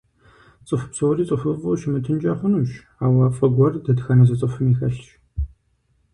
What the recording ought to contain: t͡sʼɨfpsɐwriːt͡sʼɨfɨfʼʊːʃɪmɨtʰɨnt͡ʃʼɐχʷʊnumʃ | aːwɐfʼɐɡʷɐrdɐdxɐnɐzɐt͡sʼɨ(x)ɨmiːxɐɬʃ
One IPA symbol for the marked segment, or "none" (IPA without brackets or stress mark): f